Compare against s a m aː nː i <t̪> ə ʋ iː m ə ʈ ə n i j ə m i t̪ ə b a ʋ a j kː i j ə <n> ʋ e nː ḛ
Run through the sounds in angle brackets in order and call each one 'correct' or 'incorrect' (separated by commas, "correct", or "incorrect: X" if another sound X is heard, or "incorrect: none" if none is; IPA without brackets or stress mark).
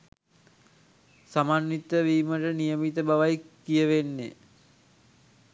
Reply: correct, incorrect: none